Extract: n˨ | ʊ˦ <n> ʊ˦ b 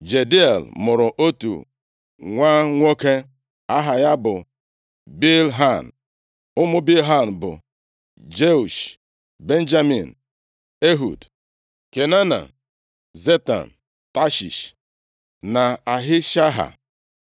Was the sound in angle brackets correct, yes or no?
no